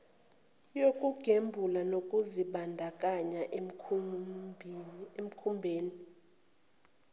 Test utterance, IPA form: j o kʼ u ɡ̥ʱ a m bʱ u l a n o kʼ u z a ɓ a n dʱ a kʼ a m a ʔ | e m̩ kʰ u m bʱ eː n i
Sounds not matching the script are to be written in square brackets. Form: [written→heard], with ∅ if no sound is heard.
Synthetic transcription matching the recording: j o kʼ u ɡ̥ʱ [a→e] m bʱ u l a n o kʼ u z [a→i] ɓ a n dʱ a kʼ a [m→ɲ] a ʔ | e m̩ kʰ u m bʱ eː n i

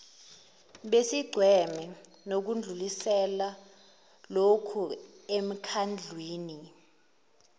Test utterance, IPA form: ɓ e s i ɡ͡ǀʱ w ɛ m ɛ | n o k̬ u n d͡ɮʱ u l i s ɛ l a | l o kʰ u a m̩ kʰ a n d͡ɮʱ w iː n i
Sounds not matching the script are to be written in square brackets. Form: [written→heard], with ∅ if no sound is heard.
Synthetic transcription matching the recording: ɓ e s i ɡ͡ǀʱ w ɛ m ɛ | n o k̬ u n d͡ɮʱ u l i s ɛ l a | l o kʰ u [a→e] m̩ kʰ a n d͡ɮʱ w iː n i

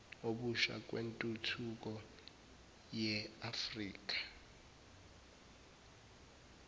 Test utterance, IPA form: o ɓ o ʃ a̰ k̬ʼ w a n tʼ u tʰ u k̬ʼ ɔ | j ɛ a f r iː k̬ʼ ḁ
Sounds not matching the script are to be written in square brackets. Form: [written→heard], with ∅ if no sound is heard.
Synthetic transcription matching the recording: o ɓ [o→u] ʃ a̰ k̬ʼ w [a→e] n tʼ u tʰ u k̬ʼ ɔ | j ɛ a f r iː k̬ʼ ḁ

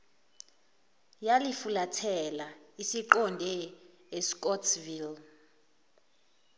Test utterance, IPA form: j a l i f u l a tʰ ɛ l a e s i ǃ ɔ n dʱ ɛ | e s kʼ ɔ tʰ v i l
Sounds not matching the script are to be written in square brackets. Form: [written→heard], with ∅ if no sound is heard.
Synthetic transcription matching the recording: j a l i f u l a tʰ ɛ l a [e→i] s i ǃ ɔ n dʱ ɛ | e s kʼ ɔ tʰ v i l

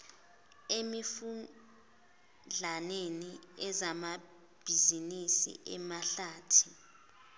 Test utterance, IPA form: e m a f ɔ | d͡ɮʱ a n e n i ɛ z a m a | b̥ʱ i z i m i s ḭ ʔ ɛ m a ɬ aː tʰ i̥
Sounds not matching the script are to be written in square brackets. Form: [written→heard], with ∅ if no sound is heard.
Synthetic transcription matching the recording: e m [a→i] f [ɔ→u] | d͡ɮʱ a n e n i ɛ z a m a | b̥ʱ i z i [m→n] i s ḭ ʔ ɛ m a ɬ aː tʰ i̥

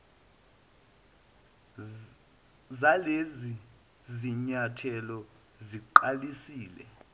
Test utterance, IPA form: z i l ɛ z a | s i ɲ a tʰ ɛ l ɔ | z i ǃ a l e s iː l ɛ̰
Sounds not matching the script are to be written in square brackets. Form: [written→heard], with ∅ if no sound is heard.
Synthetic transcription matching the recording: z [i→a] l [ɛ→e] z [a→i] | [s→z] i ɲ a tʰ ɛ l ɔ | z i ǃ a l [e→i] s iː l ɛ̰

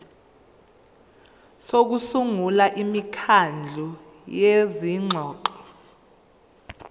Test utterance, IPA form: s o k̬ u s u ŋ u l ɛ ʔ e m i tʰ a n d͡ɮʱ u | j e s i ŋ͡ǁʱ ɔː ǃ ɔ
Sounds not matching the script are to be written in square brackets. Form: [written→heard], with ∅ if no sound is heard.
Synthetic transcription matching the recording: s o k̬ u s u ŋ u l [ɛ→a] ʔ [e→i] m i [tʰ→kʰ] a n d͡ɮʱ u | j e [s→z] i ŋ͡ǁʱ ɔː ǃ ɔ

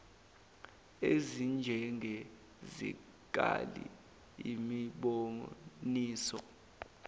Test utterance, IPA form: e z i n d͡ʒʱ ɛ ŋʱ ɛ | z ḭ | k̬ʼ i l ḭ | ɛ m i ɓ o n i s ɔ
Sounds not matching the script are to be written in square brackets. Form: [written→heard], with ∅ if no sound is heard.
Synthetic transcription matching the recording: e z i n d͡ʒʱ ɛ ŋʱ ɛ | z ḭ | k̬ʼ [i→a] l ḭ | [ɛ→i] m i ɓ o n [i→iː] s ɔ

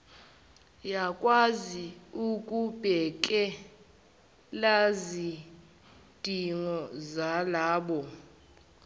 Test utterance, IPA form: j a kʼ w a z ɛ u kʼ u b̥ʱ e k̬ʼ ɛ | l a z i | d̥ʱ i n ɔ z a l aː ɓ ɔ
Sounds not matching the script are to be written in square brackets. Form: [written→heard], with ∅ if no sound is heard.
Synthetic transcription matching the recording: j a kʼ w a z [ɛ→i] u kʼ u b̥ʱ [e→ɛ] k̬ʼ ɛ | l a z i | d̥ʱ i [n→ŋ] ɔ z a l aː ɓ ɔ

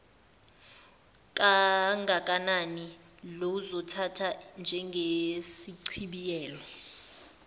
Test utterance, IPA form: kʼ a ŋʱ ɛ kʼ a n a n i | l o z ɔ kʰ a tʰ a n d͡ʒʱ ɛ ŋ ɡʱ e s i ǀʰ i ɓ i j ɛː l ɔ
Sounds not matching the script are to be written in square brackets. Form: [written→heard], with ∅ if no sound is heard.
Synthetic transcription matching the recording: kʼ a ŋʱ [ɛ→a] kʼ a n a n i | l o z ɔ [kʰ→tʰ] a tʰ a n d͡ʒʱ ɛ ŋ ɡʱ e s i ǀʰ i ɓ i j ɛː l ɔ

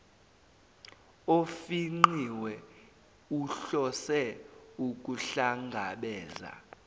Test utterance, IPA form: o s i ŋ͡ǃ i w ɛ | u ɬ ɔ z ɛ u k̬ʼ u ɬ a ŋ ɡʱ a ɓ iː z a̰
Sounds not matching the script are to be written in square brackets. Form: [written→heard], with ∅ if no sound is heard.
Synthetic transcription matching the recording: o [s→f] i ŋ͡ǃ i w ɛ | u ɬ ɔ [z→s] ɛ u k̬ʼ u ɬ a ŋ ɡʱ a ɓ [iː→ɛː] z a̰

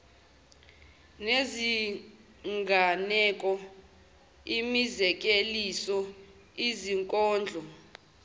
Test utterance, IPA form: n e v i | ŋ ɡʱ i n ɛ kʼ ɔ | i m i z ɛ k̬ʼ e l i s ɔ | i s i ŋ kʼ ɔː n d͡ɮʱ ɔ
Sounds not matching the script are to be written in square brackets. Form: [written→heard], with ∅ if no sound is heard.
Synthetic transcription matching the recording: n e [v→z] i | ŋ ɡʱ [i→a] n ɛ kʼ ɔ | i m i z ɛ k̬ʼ e l i s ɔ | i [s→z] i ŋ kʼ ɔː n d͡ɮʱ ɔ

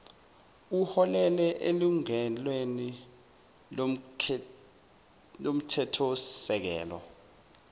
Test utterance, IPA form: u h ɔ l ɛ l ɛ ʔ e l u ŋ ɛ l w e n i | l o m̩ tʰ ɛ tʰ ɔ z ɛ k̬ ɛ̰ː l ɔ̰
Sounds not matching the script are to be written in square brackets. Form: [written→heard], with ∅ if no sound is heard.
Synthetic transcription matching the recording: u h ɔ l ɛ l ɛ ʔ e l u ŋ ɛ l w e n i | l o m̩ tʰ ɛ tʰ ɔ [z→s] ɛ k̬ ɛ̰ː l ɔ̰

